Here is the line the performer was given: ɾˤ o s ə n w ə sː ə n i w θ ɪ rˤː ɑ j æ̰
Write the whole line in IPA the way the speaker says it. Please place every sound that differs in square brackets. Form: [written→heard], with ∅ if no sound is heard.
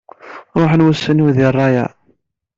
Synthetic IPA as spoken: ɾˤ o [s→ħ] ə n w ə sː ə n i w [θ→ð] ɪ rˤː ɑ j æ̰